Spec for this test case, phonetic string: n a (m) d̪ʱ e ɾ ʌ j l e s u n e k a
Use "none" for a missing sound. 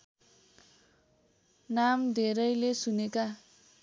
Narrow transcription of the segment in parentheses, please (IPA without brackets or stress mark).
m